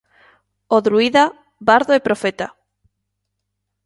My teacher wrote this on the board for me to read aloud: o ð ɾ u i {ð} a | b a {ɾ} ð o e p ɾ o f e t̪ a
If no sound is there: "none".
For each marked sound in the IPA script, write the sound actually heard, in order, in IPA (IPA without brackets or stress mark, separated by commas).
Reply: ð, ɾ